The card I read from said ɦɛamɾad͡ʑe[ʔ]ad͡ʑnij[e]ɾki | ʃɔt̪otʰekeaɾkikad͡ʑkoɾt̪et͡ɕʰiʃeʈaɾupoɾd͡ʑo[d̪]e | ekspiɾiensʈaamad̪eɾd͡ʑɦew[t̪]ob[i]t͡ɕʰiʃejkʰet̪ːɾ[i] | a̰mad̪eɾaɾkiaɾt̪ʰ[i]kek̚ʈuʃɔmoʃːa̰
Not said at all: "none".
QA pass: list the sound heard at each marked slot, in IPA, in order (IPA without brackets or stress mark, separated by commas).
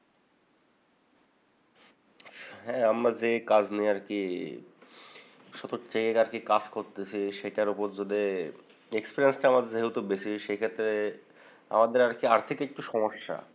k, a, d̪, t̪, e, e, i